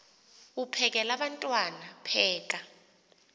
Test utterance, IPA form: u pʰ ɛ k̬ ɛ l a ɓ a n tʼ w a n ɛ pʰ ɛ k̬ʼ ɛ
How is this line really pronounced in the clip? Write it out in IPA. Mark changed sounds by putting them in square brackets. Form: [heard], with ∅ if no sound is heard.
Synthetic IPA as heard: u pʰ ɛ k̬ ɛ l a ɓ a n tʼ w a n [a] pʰ [ɛː] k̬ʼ [a]